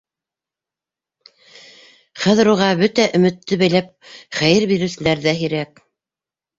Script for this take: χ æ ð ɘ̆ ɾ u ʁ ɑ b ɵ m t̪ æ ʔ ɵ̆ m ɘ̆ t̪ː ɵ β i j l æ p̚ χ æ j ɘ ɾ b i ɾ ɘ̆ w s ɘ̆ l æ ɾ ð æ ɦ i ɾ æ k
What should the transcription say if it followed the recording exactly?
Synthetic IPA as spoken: χ æ ð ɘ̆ ɾ u ʁ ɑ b ɵ t̪ æ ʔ ɵ̆ m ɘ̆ t̪ː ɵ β æ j l æ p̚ χ æ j ɘ ɾ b i ɾ ɘ̆ w s ɘ̆ l æ ɾ ð æ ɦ i ɾ æ k